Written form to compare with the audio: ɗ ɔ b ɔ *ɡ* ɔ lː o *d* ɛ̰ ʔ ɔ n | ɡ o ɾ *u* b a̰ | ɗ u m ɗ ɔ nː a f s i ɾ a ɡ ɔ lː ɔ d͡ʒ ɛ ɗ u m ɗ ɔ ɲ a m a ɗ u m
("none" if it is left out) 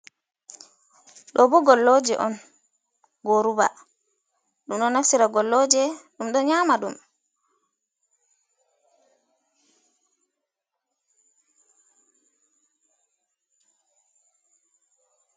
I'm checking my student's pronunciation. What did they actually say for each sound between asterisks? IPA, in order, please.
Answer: ɡ, d͡ʒ, u

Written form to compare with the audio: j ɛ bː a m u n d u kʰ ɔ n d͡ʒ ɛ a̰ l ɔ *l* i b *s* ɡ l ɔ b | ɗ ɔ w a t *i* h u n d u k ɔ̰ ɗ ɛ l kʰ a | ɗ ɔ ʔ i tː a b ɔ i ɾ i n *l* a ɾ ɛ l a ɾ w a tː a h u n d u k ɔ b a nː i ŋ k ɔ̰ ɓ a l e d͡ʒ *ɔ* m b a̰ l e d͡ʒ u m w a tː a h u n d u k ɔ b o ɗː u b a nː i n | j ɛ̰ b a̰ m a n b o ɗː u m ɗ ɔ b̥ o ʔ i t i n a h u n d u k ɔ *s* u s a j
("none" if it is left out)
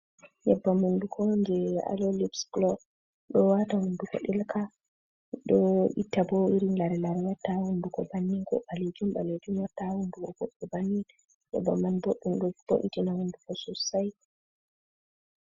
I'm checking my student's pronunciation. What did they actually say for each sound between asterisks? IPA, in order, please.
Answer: l, s, a, l, u, s

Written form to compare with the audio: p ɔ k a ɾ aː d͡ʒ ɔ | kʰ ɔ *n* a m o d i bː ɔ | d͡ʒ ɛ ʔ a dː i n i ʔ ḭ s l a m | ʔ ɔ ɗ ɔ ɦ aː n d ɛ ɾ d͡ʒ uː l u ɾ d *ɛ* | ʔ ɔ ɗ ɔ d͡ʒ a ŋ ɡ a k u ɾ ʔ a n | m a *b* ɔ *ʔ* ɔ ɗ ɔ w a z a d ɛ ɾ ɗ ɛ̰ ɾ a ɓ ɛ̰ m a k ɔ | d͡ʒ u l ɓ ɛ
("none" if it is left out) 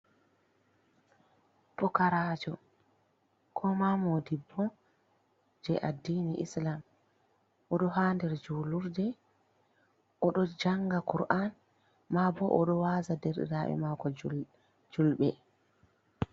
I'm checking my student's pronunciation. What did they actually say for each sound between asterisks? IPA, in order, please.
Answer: m, ɛ, b, ʔ

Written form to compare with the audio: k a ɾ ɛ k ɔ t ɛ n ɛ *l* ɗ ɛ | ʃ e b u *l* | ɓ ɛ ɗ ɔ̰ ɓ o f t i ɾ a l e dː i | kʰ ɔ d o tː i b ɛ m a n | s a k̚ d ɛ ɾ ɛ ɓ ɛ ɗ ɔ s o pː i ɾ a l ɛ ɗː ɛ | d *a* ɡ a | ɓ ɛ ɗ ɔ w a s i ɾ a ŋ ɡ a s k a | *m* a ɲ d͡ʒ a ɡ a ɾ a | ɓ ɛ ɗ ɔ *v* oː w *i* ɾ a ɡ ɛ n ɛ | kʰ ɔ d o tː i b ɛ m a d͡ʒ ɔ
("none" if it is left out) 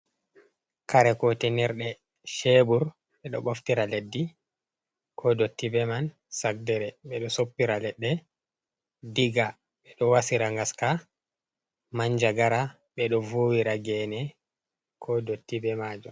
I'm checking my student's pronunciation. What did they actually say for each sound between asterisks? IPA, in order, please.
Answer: ɾ, ɾ, i, m, v, i

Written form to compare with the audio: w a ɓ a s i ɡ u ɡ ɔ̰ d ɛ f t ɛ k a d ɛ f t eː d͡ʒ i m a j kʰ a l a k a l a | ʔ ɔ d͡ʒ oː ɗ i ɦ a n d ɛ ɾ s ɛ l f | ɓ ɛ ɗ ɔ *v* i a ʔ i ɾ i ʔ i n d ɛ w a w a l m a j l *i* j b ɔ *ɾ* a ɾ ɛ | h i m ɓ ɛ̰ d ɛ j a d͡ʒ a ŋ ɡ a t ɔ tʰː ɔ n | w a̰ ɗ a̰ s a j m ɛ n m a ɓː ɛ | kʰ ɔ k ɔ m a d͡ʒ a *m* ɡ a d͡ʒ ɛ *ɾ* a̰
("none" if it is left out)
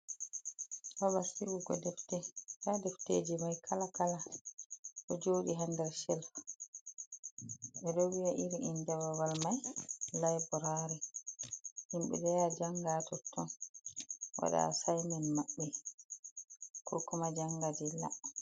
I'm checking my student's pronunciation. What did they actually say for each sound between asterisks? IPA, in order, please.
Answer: w, a, ɾ, ŋ, l

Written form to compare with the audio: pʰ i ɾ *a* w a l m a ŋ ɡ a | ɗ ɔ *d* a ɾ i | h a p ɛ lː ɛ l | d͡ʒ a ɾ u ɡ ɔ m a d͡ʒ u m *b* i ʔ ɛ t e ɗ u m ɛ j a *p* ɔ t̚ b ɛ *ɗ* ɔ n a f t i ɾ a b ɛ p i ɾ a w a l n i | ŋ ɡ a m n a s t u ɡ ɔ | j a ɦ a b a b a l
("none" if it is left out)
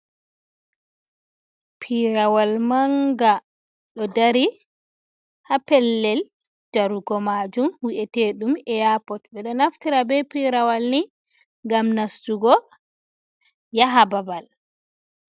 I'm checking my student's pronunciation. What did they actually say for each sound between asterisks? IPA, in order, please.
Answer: a, d, w, p, ɗ

